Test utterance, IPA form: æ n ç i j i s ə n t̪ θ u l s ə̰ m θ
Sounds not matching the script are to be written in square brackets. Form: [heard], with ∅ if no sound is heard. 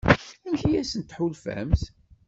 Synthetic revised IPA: æ n ç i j [æ] s ə n t̪ [ħ] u l [f] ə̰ m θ